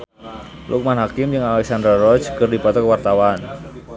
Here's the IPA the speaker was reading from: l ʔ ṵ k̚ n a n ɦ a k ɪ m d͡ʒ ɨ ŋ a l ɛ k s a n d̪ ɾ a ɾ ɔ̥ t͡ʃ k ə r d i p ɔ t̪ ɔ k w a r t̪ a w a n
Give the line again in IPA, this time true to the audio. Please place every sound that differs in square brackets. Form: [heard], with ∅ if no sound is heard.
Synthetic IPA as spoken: l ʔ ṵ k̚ [m] a n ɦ a k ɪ m d͡ʒ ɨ ŋ a l ɛ k s a n d̪ ɾ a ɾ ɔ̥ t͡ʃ k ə r d i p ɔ t̪ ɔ k w a r t̪ a w a n